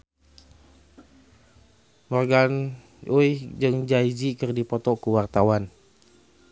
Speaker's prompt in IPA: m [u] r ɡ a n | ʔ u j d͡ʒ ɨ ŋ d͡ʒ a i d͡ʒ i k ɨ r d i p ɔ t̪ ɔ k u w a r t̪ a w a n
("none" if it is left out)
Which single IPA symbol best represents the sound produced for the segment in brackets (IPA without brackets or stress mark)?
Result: ɔ